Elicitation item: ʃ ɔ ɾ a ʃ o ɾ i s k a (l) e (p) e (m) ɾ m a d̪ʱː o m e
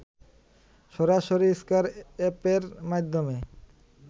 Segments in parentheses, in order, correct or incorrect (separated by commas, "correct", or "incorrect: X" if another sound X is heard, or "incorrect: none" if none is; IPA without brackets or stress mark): incorrect: ɾ, correct, incorrect: none